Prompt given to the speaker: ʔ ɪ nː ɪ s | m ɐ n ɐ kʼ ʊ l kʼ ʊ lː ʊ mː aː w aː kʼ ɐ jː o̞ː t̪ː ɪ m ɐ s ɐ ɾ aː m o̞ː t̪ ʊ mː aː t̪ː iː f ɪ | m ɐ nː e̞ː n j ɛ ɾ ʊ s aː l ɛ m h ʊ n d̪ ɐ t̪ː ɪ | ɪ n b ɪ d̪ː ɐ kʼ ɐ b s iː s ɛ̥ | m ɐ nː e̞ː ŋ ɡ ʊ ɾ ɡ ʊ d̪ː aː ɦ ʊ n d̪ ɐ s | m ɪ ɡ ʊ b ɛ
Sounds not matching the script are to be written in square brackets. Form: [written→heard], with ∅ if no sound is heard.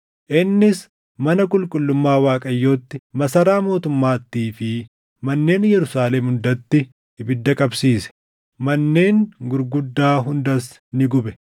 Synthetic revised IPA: ʔ ɪ nː ɪ s | m ɐ n ɐ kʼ ʊ l kʼ ʊ lː ʊ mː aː w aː kʼ ɐ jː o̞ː t̪ː ɪ m ɐ s ɐ ɾ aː m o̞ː t̪ ʊ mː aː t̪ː iː f ɪ | m ɐ nː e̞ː n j ɛ ɾ ʊ s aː l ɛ m h ʊ n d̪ ɐ t̪ː ɪ | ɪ [n→∅] b ɪ d̪ː ɐ kʼ ɐ b s iː s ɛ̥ | m ɐ nː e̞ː ŋ ɡ ʊ ɾ ɡ ʊ d̪ː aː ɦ ʊ n d̪ ɐ s | [m→n] ɪ ɡ ʊ b ɛ